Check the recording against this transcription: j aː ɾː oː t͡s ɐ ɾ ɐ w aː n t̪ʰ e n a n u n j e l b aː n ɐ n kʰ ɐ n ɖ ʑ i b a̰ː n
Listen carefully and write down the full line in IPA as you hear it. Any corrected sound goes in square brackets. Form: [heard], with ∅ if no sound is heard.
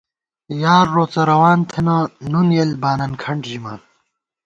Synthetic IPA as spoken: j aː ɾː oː t͡s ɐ ɾ ɐ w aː n t̪ʰ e n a n u n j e l b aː n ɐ n kʰ ɐ [ɳ] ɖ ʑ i [m] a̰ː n